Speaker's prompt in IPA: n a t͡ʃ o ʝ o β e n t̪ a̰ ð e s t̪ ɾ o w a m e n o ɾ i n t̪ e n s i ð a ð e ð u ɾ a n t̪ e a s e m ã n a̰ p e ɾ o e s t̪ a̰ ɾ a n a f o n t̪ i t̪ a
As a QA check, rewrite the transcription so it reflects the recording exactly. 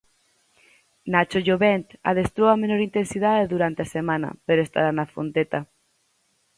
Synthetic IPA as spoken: n a t͡ʃ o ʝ o β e n t̪ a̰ ð e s t̪ ɾ o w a m e n o ɾ i n t̪ e n s i ð a ð e ð u ɾ a n t̪ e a s e m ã n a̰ p e ɾ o e s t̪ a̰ ɾ a n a f o n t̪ e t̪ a